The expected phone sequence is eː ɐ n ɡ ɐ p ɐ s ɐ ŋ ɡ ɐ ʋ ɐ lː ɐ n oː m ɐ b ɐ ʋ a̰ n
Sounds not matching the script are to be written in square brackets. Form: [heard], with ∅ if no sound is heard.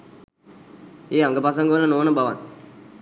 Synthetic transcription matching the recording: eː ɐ [ŋ] ɡ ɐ p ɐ s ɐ ŋ ɡ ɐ ʋ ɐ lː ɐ n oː [n] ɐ b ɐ ʋ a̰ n